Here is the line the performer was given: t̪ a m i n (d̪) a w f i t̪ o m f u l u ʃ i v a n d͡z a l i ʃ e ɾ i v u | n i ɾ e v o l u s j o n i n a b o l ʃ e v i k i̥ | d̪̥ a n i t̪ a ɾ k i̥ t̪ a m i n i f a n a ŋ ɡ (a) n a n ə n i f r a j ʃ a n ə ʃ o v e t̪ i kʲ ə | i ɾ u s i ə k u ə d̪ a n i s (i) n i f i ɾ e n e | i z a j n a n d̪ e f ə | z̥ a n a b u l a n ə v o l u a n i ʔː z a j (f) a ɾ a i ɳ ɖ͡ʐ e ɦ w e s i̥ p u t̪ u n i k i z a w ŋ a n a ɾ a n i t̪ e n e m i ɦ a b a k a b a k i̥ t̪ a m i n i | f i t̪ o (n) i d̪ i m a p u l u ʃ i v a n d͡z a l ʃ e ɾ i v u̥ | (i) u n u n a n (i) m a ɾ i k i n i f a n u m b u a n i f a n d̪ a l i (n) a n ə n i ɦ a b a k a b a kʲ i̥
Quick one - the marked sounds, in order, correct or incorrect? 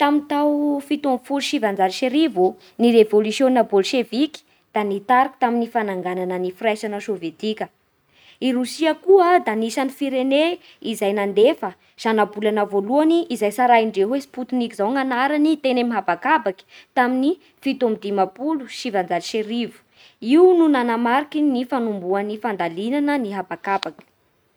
incorrect: t̪, correct, incorrect: a, incorrect: s, incorrect: m, correct, incorrect: a, correct

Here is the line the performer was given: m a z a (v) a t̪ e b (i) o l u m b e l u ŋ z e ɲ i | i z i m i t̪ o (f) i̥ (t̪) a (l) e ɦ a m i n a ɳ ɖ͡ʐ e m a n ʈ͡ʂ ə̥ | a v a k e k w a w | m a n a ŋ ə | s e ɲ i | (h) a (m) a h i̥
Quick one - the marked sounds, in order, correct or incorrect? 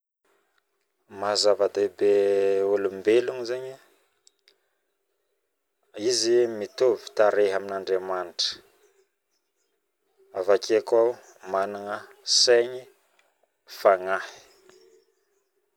correct, incorrect: e, incorrect: v, correct, incorrect: ɾ, incorrect: f, incorrect: ŋ

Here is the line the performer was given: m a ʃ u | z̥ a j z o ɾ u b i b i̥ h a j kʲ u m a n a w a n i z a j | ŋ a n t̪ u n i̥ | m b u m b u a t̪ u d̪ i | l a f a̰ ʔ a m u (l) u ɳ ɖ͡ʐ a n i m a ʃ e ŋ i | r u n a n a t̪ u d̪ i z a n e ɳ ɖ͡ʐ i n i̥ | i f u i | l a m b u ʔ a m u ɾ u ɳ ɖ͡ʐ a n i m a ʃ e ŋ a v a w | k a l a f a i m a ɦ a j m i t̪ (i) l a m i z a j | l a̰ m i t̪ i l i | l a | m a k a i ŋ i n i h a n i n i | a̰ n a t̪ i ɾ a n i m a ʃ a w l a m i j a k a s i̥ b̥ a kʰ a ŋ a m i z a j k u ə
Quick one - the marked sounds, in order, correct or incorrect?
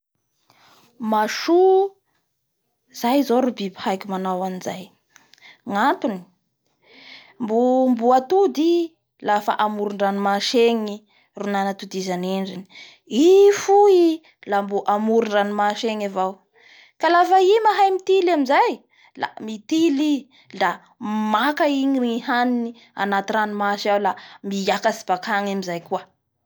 incorrect: ɾ, correct

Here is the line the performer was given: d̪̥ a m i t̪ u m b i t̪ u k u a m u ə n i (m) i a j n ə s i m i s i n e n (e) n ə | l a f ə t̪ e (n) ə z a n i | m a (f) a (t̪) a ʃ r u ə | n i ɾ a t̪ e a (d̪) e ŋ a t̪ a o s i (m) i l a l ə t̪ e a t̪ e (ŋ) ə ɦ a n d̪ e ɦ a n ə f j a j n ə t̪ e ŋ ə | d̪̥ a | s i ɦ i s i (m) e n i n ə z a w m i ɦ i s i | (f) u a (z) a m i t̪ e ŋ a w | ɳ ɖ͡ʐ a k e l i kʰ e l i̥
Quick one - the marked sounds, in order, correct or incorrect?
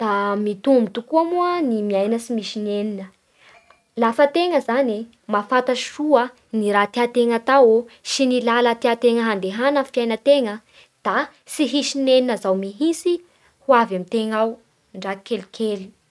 correct, incorrect: i, incorrect: ŋ, correct, correct, incorrect: t̪, incorrect: n, correct, incorrect: n, incorrect: h, incorrect: v

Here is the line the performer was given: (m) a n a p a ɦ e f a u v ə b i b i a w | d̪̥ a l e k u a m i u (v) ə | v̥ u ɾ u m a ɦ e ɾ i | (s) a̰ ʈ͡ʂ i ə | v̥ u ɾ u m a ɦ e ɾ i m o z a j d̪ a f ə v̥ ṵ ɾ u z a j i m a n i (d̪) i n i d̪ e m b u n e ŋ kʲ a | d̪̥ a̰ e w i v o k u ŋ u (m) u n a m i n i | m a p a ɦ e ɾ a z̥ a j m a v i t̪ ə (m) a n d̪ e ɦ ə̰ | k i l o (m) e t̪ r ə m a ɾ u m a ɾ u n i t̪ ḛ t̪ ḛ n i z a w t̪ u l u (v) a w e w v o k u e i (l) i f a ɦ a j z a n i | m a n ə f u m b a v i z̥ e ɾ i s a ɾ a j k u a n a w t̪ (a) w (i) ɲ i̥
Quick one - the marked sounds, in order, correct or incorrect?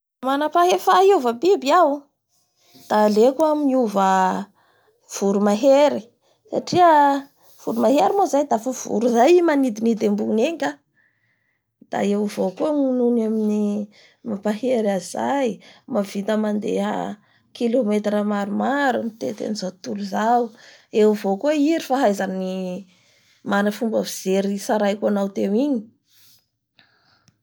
correct, correct, correct, correct, incorrect: n, correct, correct, incorrect: z, incorrect: ɾ, incorrect: e, correct

